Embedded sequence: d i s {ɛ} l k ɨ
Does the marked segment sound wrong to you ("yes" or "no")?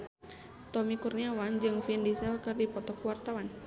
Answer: no